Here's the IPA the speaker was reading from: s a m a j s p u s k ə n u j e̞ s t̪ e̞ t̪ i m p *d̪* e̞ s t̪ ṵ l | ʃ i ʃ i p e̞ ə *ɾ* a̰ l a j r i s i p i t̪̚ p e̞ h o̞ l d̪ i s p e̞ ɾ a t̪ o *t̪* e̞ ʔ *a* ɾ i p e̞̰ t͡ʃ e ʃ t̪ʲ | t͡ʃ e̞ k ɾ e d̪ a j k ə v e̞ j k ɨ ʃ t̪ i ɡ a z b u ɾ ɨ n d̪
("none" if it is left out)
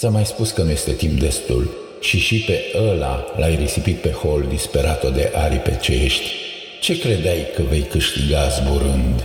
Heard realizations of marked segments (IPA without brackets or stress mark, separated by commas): d̪, l, d̪, a